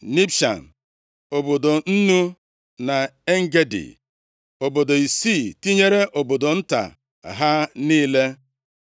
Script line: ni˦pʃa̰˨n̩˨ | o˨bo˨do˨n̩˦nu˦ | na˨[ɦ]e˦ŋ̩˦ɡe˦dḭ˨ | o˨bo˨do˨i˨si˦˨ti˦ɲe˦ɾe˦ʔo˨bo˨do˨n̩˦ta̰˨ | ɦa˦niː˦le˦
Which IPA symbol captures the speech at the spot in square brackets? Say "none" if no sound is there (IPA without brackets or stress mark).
none